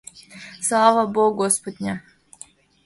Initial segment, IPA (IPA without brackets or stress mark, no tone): s